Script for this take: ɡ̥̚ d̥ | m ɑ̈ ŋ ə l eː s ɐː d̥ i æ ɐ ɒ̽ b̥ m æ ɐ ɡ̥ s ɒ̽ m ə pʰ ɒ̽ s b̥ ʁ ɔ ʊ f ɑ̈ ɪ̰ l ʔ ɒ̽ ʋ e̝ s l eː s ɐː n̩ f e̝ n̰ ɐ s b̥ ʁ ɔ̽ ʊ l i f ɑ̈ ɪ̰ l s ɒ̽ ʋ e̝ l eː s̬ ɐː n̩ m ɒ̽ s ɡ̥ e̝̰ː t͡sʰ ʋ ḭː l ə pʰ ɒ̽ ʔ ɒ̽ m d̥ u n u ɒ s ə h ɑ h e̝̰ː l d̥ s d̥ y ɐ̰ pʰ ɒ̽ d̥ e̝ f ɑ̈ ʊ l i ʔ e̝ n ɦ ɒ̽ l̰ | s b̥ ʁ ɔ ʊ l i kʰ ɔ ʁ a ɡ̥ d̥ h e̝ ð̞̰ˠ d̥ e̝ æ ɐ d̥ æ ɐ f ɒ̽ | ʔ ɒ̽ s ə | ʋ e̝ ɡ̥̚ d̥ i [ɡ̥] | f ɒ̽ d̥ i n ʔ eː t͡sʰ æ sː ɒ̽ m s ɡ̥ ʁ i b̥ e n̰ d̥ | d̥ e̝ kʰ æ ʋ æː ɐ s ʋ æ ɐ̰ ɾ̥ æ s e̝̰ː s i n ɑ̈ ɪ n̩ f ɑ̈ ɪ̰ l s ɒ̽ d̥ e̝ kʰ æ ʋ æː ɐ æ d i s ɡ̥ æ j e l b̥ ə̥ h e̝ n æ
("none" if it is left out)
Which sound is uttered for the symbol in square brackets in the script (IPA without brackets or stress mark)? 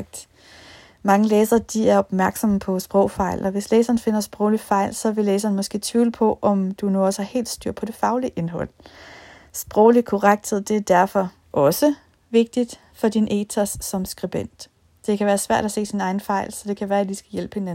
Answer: d̥